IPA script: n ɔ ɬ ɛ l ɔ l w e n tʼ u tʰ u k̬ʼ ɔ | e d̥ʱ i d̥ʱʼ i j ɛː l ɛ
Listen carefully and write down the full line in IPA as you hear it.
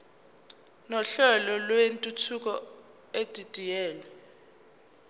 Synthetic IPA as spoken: n ɔ ɬ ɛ l ɔ l w e n tʼ u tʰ u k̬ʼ ɔ | e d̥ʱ i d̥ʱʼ i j ɛː l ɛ